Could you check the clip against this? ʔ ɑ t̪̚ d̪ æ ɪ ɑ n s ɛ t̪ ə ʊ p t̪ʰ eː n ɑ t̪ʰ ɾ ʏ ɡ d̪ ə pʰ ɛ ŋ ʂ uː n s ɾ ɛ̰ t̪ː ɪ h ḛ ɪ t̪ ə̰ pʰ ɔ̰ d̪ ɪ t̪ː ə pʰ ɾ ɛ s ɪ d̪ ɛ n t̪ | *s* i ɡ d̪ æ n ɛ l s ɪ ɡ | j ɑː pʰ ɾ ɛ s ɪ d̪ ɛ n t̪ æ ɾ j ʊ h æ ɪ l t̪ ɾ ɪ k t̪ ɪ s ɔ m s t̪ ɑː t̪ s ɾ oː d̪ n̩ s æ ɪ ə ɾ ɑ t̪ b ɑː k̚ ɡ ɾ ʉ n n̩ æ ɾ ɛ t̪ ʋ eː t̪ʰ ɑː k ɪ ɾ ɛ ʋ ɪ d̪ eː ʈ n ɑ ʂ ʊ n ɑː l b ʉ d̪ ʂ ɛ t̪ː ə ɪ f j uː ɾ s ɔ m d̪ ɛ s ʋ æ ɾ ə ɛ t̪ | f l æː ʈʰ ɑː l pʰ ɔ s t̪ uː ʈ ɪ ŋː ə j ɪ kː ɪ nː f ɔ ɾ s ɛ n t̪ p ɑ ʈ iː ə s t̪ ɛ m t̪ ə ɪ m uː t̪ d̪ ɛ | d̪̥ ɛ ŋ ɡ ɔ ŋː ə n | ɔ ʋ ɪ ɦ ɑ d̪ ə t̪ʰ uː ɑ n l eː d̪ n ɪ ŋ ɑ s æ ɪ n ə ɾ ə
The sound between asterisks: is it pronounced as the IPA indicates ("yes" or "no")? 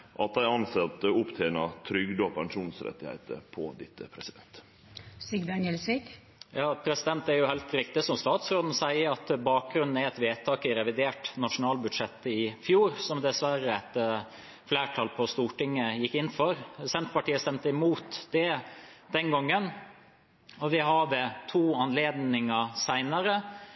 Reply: yes